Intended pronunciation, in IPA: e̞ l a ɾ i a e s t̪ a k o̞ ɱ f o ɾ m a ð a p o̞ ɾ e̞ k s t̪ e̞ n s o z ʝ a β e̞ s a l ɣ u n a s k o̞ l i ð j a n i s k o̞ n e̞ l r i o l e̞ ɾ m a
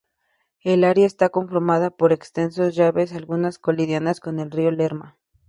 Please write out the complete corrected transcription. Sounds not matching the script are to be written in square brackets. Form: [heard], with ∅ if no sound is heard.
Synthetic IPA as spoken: e̞ l a ɾ [j] a e s t̪ a k o̞ ɱ f o ɾ m a ð a p o̞ ɾ e̞ k s t̪ e̞ n s o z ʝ a β e̞ s a l ɣ u n a s k o̞ l i ð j a n [a] s k o̞ n e̞ l r i o l e̞ ɾ m a

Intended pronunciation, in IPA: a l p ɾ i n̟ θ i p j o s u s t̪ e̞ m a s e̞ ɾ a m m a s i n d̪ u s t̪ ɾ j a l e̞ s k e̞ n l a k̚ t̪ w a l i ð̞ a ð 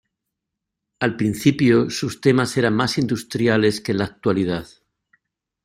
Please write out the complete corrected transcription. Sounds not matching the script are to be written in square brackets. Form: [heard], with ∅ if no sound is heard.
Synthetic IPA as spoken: a l p ɾ i n̟ θ i p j o s u s t̪ e̞ m a s e̞ ɾ a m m a s i n d̪ u s t̪ ɾ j a l e̞ s k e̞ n l a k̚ t̪ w a l i ð̞ a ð

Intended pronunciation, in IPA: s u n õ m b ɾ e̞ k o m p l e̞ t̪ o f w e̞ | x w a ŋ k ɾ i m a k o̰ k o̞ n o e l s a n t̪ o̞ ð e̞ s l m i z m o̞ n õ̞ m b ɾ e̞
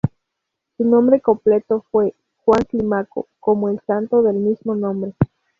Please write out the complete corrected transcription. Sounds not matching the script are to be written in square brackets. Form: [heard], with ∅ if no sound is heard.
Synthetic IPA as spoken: s u n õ m b ɾ e̞ k o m p l e̞ t̪ o f w e̞ | x w a ŋ k [l] i m a k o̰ k o̞ [m] o e l s a n t̪ o̞ ð e̞ [∅] l m i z m o̞ n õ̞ m b ɾ e̞

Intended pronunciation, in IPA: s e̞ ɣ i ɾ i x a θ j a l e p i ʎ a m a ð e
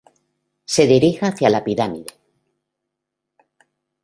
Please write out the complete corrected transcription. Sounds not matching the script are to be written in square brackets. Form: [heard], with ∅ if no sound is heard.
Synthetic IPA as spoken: s e̞ [ð] i ɾ i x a θ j a l [a] p i [ɾ] a m [i] ð e

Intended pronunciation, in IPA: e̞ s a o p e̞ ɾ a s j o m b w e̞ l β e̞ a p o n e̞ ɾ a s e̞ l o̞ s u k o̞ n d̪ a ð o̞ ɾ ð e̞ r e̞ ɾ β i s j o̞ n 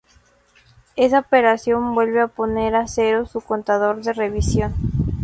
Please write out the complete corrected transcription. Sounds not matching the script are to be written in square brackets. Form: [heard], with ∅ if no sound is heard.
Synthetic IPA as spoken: e̞ s a o p e̞ ɾ a s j o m b w e̞ l β e̞ a p o n e̞ ɾ a s e̞ [ɾ] o̞ s u k o̞ n [t̪] a ð o̞ ɾ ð e̞ r e̞ [∅] β i s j o̞ n

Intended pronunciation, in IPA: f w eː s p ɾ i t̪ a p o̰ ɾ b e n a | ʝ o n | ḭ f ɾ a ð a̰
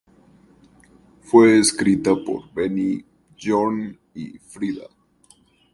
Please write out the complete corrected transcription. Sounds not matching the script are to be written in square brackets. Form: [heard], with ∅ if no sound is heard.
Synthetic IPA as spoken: f w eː s [k] ɾ i t̪ a p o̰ ɾ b e n [i] | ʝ o n | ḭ f ɾ [i] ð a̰

